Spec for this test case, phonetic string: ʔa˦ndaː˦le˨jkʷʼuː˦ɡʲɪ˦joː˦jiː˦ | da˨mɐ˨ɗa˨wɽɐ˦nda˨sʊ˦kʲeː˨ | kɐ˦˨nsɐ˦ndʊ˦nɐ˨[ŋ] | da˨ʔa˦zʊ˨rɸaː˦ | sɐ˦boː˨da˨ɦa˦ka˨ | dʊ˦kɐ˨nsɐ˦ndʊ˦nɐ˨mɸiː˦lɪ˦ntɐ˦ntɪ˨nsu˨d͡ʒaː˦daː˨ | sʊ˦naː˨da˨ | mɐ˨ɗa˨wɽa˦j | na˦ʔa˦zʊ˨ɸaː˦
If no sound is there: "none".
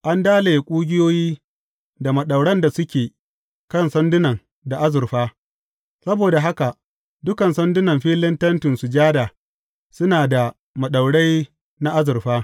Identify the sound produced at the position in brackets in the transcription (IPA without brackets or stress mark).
ŋ